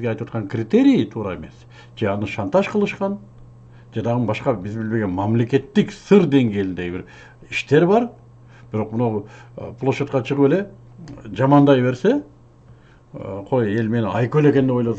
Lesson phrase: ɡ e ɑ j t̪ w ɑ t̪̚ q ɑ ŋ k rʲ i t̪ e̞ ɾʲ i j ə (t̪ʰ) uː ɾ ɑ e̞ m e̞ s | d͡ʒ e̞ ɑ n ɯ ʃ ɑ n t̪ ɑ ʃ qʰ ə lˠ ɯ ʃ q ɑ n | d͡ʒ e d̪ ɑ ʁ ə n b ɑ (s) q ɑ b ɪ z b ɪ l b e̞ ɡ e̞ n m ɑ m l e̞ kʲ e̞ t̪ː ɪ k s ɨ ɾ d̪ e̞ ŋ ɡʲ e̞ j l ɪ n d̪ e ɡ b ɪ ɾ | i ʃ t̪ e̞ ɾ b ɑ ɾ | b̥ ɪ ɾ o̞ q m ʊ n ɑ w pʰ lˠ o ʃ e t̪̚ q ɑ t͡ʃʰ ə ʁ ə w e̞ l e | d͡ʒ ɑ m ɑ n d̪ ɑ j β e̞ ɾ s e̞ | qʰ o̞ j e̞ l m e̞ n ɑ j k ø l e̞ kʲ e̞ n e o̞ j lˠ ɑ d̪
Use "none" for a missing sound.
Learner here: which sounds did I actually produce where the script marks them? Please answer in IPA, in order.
t̪ʰ, ʃ

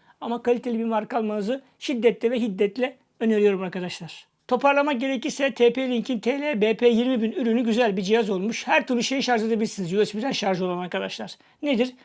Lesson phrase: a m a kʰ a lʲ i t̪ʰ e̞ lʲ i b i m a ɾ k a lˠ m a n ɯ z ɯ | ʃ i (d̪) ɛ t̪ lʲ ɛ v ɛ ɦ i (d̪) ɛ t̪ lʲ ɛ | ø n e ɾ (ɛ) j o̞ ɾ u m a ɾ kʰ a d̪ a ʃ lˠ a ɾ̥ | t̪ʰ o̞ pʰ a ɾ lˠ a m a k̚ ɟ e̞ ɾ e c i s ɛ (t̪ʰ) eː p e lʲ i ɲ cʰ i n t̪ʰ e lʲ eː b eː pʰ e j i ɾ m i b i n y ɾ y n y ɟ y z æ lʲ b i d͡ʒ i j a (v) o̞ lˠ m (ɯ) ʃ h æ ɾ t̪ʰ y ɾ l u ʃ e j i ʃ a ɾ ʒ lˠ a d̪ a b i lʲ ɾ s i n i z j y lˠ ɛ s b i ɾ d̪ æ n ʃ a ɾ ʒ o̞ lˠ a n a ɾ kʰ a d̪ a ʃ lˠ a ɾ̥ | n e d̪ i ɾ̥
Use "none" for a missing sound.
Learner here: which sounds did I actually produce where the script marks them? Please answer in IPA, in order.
d̪ː, d̪ː, i, t̪ʰ, z, u

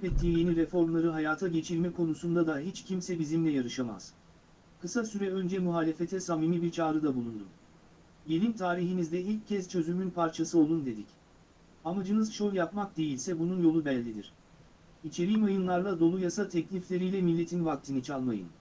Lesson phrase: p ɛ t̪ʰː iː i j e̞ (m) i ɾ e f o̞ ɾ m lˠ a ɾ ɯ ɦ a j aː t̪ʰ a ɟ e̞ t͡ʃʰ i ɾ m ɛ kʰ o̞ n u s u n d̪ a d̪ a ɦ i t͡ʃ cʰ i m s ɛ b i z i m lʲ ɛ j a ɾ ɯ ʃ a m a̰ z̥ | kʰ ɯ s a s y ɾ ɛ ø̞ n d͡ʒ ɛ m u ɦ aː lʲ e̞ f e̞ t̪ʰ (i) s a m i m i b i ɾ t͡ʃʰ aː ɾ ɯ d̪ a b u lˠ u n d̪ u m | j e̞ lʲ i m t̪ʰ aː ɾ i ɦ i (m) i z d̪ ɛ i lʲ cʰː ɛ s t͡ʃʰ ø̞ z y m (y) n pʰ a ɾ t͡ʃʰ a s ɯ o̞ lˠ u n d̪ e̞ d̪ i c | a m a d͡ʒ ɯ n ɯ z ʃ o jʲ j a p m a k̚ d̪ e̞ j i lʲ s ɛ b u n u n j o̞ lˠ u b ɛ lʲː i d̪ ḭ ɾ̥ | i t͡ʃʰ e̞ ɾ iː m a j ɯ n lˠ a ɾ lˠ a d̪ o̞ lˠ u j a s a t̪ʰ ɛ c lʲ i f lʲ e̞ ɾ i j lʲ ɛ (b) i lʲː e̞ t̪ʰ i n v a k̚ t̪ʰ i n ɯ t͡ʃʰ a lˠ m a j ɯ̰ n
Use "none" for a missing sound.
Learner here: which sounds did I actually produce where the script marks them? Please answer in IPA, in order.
n, ɛ, n, y, m

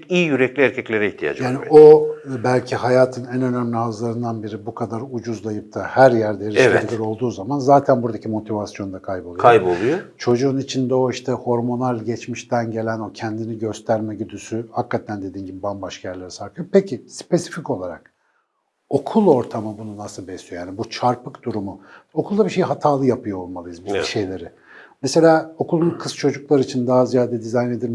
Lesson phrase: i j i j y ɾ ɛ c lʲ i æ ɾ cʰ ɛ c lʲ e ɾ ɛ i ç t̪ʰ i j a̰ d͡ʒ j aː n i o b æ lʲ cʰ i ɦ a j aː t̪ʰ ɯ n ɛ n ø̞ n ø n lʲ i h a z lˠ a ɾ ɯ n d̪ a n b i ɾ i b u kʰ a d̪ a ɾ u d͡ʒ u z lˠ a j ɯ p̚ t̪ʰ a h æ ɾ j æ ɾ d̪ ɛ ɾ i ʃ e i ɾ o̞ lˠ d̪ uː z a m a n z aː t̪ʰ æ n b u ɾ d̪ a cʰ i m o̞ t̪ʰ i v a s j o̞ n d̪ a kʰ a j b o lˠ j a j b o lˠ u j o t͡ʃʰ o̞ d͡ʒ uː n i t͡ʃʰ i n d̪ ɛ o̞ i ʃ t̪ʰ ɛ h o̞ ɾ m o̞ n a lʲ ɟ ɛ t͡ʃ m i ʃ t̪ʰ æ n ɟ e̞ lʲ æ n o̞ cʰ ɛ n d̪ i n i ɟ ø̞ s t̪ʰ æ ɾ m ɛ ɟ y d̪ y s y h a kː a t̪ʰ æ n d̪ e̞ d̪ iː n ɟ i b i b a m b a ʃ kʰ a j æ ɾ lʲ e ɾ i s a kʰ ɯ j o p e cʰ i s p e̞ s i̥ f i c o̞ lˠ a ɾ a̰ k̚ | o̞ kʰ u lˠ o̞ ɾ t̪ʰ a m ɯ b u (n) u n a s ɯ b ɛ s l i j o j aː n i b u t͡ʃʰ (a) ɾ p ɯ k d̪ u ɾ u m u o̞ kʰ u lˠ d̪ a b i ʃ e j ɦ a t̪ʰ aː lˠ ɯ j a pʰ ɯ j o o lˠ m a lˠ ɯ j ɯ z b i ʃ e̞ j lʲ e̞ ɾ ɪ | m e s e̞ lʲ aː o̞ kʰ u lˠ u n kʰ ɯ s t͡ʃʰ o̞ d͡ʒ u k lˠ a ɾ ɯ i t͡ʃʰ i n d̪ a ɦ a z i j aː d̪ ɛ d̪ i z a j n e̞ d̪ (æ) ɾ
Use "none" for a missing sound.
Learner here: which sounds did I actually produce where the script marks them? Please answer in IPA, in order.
n, a, i

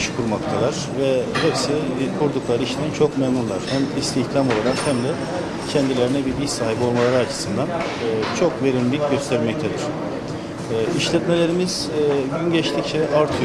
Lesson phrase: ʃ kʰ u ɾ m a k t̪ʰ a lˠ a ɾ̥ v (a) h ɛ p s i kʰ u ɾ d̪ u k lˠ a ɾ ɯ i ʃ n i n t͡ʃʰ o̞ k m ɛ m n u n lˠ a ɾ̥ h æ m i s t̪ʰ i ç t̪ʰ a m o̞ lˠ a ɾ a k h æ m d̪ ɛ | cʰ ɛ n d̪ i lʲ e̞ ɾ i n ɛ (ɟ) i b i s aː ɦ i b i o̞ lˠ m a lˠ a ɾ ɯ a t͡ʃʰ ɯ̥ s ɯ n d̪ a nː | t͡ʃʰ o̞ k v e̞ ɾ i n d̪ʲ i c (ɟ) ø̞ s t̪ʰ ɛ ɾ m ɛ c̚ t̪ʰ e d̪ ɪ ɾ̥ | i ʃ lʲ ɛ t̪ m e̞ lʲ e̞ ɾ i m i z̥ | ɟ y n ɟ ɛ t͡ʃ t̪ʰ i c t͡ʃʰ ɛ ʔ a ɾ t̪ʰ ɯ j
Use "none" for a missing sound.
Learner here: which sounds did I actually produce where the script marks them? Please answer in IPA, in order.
ɛ, b, ɟ

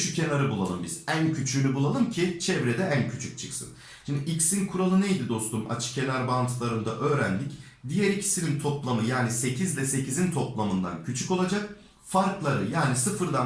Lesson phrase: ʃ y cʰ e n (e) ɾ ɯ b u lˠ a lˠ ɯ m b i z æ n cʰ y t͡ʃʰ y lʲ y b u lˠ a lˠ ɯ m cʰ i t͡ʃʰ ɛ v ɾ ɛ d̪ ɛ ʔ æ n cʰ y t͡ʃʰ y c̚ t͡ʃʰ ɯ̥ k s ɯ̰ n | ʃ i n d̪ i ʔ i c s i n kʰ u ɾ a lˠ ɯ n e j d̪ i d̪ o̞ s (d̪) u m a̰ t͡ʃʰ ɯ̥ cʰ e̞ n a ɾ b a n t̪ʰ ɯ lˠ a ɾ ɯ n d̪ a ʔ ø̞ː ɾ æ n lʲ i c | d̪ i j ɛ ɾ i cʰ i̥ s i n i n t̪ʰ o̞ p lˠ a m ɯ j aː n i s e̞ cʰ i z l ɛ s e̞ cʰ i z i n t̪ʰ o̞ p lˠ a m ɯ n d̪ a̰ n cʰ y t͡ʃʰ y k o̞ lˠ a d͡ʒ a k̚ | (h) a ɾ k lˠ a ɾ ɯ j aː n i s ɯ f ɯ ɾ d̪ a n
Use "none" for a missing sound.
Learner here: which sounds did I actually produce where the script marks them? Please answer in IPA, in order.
a, t̪, f

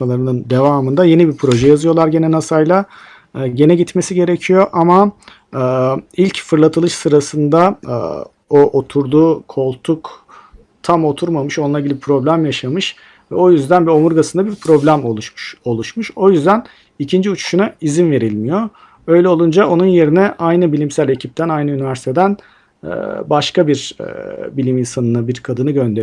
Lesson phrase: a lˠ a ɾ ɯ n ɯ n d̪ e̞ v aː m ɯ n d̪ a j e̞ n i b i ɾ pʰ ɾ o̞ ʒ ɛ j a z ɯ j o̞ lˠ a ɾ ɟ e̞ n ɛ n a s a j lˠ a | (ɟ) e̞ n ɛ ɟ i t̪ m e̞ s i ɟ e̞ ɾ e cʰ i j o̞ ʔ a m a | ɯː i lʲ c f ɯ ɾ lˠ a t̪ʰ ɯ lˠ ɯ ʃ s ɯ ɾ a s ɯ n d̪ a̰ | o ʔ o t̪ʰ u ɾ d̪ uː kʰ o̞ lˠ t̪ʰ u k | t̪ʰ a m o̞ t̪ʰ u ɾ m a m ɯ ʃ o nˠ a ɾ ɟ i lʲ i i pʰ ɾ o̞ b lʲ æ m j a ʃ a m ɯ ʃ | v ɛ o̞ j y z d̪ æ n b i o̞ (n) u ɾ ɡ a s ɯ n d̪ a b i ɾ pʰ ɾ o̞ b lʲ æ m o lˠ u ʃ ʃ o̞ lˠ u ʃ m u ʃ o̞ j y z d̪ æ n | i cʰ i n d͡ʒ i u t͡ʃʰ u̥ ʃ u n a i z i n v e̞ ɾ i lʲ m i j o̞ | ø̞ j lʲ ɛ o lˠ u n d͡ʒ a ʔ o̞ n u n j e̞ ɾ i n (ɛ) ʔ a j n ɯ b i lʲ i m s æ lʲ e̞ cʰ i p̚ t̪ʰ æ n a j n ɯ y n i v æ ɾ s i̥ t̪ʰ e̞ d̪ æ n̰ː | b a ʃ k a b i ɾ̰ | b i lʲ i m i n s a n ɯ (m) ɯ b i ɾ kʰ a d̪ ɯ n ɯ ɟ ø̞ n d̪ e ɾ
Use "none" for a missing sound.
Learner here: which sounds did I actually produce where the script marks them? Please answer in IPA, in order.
ɟ, m, ɛ, n

